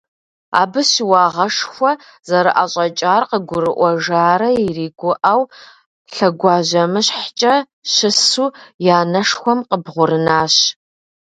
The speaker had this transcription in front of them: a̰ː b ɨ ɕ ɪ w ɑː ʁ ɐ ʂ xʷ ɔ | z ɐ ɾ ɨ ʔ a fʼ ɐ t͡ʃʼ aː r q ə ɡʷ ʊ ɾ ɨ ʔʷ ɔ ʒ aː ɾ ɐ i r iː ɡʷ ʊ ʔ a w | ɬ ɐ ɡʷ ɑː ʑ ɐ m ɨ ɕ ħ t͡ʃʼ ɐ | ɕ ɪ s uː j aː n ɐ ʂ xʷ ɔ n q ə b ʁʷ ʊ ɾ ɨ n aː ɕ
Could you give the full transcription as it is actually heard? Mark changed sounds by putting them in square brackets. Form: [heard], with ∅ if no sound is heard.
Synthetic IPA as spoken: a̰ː b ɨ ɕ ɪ w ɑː ʁ ɐ ʂ xʷ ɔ | z ɐ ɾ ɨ ʔ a [ɕʼ] ɐ t͡ʃʼ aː r q ə ɡʷ ʊ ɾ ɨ ʔʷ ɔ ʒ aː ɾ ɐ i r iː ɡʷ ʊ ʔ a w | ɬ ɐ ɡʷ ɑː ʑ ɐ m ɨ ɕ ħ t͡ʃʼ ɐ | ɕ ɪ s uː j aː n ɐ ʂ xʷ ɔ [m] q ə b ʁʷ ʊ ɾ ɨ n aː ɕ